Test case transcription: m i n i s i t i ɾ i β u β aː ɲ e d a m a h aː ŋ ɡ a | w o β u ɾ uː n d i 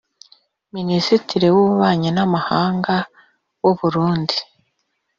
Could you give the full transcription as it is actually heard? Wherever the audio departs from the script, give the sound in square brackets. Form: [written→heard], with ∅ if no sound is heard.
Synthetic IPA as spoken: m i n i s i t i ɾ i [β→w] u β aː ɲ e [d→n] a m a h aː ŋ ɡ a | w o β u ɾ uː n d i